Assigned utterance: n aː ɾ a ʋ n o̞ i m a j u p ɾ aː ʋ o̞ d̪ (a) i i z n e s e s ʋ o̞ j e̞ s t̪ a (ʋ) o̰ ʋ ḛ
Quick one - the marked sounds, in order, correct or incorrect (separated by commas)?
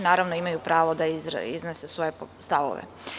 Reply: correct, correct